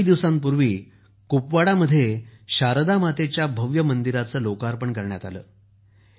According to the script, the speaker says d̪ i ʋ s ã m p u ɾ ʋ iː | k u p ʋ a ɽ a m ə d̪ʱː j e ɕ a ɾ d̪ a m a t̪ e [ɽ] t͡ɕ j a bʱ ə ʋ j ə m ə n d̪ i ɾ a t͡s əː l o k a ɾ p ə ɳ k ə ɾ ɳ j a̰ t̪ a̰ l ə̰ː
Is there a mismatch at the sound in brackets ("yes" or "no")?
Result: yes